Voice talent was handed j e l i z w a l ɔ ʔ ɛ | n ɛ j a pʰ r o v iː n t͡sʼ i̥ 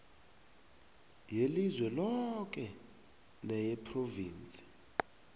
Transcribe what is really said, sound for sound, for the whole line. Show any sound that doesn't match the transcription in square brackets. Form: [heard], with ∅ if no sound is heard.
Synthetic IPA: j e l i z w [ɛ] l ɔ [k] ɛ | n ɛ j [ɛ] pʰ r o v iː n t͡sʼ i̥